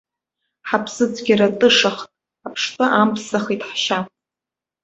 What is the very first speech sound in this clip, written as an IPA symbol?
ħ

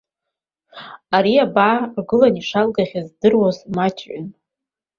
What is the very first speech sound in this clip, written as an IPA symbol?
a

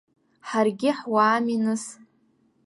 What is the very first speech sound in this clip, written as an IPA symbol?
ħ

